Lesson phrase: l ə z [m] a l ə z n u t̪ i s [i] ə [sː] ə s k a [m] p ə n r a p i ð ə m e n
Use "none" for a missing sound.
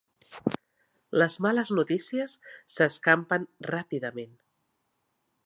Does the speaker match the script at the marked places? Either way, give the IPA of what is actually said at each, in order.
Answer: m, i, sː, m

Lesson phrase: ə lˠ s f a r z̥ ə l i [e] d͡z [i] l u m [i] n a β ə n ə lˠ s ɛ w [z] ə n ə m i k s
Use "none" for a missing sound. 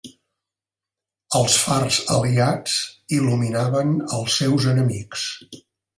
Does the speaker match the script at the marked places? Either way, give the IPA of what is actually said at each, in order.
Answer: a, i, i, z

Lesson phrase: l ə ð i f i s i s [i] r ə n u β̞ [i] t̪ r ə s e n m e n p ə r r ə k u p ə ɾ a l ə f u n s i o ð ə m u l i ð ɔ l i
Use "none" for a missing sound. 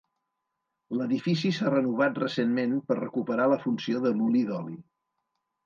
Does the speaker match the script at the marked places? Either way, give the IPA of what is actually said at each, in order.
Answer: a, a

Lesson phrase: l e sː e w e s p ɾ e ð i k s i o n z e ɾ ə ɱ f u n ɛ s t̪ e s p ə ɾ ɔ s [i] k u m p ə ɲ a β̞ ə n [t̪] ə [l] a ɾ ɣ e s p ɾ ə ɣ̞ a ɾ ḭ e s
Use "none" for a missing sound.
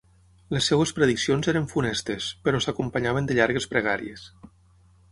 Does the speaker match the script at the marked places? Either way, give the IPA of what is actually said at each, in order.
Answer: a, d̪, ʎ

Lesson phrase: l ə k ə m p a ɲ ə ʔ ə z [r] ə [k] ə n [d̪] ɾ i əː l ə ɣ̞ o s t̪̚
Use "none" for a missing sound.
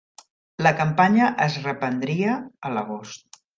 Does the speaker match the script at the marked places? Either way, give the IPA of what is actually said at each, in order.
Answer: r, p, d̪

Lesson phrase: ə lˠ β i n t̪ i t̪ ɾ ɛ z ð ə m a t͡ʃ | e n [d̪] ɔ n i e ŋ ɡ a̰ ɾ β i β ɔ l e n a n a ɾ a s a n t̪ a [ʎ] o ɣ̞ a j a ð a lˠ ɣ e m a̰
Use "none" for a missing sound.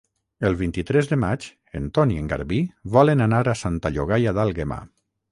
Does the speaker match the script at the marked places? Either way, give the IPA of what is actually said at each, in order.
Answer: t̪, ʎ

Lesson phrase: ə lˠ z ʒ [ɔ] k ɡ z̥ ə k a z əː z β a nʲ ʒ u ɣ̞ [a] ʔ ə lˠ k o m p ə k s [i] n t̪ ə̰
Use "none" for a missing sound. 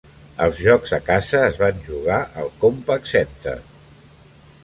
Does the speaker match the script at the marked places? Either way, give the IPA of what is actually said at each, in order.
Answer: ɔ, a, ɛ

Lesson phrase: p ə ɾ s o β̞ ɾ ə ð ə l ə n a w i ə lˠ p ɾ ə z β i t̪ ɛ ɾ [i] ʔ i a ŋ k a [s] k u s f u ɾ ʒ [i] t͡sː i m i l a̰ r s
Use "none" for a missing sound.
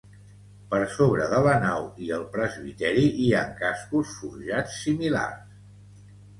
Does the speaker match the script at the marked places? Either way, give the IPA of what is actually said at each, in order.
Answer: i, s, a

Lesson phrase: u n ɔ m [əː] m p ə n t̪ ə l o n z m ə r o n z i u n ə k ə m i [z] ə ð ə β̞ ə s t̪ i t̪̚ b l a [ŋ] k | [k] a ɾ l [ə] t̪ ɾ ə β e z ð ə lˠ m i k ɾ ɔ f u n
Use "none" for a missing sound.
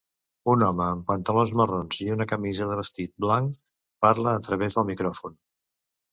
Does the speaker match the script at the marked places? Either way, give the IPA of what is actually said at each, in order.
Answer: əː, z, ŋ, p, əː

